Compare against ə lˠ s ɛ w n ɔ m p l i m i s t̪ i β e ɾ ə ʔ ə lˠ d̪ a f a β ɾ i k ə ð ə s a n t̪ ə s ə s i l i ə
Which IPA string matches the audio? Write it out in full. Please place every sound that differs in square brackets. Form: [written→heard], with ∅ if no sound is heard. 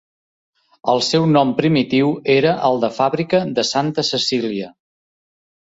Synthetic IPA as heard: ə lˠ s ɛ w n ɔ m p [l→ɾ] i m i [s→∅] t̪ i [β→w] e ɾ ə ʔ ə lˠ d̪ [a→ə] f a β ɾ i k ə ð ə s a n t̪ ə s ə s i l i ə